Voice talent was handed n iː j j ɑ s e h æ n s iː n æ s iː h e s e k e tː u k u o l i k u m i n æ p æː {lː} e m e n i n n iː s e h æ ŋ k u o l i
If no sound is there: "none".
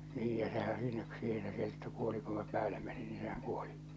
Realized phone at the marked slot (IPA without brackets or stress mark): l